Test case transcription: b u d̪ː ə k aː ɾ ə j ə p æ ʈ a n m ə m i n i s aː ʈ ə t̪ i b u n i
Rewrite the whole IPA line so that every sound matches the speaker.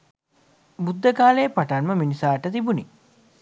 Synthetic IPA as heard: b u d̪ː ə k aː l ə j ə p a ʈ a n m ə m i n i s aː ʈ ə t̪ i b u n i